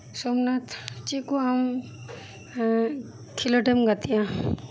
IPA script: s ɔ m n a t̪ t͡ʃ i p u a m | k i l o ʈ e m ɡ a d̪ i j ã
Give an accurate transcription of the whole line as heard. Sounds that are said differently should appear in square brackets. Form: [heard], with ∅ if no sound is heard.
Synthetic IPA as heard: s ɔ m n a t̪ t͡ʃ i [k] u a m | [kʰ] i l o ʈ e m ɡ a [t̪] i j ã